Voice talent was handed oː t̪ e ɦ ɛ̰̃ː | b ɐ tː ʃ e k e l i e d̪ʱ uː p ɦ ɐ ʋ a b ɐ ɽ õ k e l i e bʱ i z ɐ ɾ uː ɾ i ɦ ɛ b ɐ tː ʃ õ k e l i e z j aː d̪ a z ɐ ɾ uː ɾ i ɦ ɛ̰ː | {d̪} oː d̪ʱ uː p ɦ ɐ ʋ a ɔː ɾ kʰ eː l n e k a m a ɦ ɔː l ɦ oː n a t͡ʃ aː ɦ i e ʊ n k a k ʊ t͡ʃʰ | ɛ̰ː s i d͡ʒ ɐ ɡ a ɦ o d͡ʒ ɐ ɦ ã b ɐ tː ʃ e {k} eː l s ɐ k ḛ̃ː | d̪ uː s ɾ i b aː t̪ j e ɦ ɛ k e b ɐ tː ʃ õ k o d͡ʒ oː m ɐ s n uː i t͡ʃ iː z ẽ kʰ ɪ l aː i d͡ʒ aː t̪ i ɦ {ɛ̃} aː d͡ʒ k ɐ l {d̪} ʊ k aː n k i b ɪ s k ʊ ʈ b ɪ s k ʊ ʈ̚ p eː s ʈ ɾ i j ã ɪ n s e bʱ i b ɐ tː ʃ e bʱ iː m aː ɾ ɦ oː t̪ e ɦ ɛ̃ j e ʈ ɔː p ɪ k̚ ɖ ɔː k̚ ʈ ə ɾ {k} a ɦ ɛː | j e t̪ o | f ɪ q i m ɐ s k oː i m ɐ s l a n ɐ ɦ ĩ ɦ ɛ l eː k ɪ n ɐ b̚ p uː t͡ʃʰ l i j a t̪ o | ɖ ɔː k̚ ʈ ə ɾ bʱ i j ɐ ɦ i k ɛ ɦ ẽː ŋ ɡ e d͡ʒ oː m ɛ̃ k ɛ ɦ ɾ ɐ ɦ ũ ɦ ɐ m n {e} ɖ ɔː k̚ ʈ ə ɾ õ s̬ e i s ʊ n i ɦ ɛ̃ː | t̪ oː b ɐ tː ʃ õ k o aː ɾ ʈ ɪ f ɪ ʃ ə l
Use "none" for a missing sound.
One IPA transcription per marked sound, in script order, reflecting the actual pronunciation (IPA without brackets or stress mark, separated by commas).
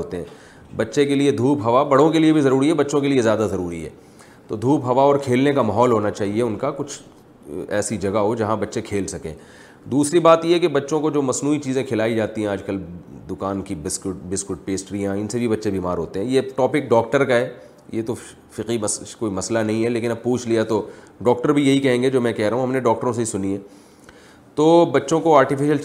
t̪, kʰ, ɛ̃, d̪, k, e